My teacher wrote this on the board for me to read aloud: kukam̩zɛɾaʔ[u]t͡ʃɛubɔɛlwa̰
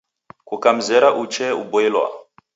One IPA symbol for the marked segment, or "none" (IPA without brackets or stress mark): u